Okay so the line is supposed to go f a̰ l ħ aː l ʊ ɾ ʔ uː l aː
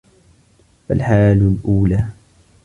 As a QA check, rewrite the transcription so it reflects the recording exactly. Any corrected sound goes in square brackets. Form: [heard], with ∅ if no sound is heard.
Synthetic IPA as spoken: f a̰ l ħ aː l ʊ [l] ʔ uː l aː